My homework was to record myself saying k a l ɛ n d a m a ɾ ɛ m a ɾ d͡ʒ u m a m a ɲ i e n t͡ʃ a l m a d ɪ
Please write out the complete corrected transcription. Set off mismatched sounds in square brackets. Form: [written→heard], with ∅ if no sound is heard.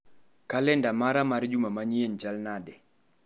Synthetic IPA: k a l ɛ n d a m a ɾ [ɛ→a] m a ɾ d͡ʒ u m a m a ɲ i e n t͡ʃ a l [m→n] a d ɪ